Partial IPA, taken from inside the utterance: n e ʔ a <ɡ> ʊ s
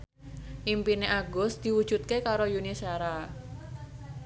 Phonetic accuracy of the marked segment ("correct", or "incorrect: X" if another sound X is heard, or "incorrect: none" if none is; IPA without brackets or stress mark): correct